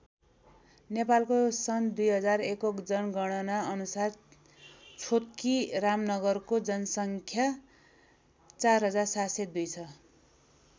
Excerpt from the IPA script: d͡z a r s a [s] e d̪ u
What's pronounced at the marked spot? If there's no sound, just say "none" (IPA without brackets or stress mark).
s